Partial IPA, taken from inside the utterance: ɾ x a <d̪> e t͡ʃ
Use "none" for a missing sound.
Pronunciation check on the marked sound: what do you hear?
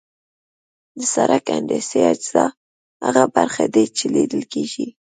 d̪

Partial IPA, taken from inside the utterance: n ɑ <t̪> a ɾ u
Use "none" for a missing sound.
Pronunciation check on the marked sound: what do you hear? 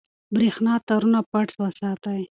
t̪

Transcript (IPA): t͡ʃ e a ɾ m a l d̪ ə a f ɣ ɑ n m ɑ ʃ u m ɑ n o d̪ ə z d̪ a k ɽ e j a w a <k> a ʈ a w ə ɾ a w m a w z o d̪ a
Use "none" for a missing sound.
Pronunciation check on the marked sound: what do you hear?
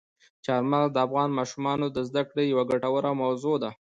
ɡ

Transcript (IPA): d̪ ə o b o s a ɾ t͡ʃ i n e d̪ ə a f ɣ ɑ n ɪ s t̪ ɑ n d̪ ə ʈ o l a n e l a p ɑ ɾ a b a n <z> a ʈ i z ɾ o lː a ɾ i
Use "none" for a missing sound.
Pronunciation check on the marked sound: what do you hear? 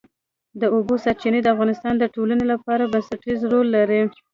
s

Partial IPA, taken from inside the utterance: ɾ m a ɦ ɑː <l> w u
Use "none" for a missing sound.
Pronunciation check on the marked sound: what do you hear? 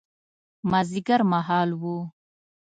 l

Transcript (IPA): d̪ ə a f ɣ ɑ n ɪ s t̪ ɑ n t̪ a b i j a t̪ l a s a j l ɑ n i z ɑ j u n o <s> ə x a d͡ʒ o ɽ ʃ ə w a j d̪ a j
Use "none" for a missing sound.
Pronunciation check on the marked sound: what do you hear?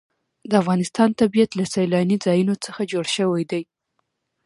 t͡s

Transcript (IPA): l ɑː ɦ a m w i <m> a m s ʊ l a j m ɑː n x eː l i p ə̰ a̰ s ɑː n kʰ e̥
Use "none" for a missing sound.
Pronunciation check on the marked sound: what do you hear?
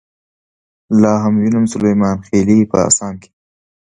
n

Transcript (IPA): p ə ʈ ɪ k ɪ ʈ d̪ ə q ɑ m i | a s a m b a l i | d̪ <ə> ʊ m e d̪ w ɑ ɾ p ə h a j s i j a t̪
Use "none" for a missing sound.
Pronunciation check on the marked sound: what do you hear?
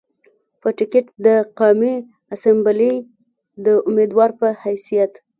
ə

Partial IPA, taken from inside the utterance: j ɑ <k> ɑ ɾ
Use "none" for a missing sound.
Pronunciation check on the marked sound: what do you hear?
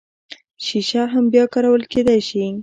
k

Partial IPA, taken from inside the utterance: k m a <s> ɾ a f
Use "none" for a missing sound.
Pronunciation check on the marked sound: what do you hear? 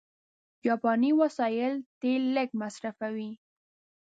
s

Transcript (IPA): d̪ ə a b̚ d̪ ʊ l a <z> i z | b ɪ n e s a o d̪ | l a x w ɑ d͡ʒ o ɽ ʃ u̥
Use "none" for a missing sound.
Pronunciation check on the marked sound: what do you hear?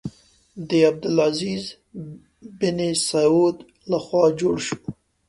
z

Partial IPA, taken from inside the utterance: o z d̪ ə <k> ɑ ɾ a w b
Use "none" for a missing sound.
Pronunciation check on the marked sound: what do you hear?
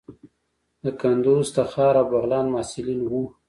x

